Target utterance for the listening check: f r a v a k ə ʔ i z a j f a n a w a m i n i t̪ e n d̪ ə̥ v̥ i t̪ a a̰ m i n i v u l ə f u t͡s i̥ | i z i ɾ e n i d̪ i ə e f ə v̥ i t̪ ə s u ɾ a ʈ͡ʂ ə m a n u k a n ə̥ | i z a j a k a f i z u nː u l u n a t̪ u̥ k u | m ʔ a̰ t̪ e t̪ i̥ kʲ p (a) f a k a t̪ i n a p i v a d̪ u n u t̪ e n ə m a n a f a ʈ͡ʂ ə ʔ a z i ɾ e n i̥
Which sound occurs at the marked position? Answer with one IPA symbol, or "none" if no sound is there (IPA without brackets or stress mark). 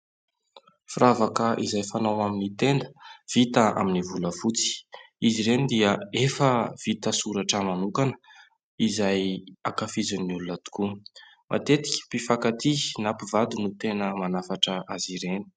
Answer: i